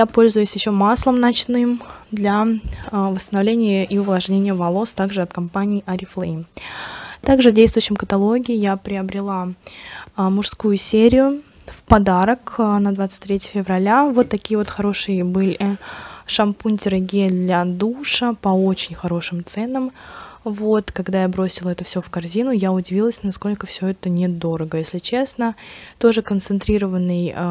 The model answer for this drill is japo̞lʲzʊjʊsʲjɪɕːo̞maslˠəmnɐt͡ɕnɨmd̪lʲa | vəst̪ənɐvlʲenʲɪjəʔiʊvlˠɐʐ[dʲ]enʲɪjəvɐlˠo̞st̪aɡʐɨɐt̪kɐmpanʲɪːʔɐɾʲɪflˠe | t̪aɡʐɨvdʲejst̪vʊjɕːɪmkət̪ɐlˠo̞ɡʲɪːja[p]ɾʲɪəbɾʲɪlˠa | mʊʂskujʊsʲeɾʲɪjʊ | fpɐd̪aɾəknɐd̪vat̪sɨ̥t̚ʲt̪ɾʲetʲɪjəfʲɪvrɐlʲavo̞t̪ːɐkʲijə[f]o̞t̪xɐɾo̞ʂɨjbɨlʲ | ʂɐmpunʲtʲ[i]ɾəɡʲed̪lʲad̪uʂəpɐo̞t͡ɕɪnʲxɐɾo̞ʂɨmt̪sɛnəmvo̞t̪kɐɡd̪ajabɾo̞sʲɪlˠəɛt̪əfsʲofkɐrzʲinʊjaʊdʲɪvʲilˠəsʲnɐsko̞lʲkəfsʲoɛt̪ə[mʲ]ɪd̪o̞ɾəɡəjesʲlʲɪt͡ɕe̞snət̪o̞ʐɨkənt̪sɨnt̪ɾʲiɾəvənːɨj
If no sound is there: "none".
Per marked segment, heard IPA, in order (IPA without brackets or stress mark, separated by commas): nʲ, p, v, ɪ, nʲ